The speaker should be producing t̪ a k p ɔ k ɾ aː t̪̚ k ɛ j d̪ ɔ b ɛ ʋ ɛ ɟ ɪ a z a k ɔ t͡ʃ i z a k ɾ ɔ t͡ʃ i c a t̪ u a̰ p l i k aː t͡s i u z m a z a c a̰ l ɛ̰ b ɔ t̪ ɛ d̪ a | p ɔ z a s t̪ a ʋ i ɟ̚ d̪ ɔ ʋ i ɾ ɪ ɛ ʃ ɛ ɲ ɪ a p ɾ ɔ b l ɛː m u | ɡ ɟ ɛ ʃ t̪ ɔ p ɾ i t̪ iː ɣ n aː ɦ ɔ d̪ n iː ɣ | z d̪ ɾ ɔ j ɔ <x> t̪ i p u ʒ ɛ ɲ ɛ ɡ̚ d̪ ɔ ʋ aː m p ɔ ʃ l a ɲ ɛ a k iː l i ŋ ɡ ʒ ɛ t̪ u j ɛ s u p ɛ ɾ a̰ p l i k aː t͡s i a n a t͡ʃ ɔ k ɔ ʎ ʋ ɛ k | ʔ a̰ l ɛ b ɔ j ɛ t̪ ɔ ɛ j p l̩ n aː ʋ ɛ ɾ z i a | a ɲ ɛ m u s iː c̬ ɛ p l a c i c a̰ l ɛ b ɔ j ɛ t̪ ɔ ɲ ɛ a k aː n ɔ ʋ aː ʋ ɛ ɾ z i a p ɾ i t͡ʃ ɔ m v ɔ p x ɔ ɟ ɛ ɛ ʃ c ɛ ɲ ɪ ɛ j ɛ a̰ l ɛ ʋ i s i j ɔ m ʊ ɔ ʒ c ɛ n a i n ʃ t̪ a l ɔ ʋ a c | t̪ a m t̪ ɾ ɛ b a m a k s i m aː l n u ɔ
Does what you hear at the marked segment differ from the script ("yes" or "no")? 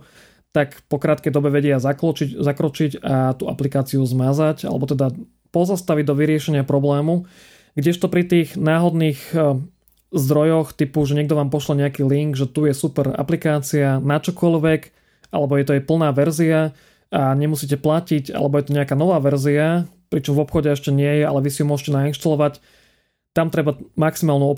no